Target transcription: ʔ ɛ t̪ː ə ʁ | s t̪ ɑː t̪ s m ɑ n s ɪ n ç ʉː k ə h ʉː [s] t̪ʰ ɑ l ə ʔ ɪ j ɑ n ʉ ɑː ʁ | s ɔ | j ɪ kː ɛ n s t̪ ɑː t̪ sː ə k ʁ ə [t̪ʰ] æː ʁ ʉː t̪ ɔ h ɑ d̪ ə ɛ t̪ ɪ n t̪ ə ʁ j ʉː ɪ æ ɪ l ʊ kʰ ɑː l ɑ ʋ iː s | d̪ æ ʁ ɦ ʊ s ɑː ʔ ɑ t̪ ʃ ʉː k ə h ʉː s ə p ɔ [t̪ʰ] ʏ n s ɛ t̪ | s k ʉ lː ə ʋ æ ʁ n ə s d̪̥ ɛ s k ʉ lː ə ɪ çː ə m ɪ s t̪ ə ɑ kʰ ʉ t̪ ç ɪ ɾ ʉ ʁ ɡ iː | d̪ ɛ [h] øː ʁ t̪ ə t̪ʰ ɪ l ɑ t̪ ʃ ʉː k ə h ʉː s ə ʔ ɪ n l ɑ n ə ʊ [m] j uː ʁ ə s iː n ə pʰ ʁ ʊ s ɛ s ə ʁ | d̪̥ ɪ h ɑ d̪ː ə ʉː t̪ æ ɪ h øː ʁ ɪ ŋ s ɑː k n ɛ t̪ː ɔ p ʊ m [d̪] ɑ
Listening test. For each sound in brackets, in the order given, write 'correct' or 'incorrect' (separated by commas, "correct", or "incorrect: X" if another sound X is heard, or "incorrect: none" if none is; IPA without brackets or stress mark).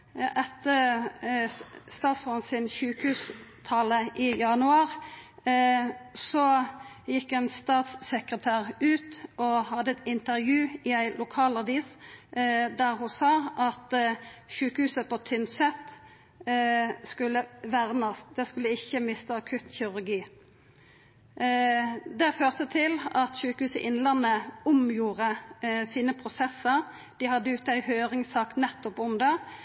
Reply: correct, correct, correct, incorrect: f, correct, correct